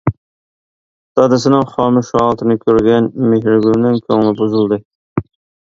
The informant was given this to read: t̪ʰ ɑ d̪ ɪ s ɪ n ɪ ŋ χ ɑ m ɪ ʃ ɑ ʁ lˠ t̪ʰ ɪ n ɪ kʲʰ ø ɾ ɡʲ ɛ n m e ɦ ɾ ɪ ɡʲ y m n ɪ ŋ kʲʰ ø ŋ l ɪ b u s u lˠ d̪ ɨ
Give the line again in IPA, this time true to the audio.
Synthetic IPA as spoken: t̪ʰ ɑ d̪ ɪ s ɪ n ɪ ŋ χ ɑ m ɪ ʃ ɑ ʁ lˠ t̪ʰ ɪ n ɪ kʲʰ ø ɾ ɡʲ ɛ n m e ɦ ɾ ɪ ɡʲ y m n ɪ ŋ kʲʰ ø ŋ l ɪ b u z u lˠ d̪ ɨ